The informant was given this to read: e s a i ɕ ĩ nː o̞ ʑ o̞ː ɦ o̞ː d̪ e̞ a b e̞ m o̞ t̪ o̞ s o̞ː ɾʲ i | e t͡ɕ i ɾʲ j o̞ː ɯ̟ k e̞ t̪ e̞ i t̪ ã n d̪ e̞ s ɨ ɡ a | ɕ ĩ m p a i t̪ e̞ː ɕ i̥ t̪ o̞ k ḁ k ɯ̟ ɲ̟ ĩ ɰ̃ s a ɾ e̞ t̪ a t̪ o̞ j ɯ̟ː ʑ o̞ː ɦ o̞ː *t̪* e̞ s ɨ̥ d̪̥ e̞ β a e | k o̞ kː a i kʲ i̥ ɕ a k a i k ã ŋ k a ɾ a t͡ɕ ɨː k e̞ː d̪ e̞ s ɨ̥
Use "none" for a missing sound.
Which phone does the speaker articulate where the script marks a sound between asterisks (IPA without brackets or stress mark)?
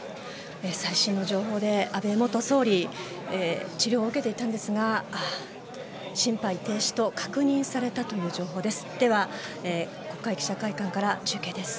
d̪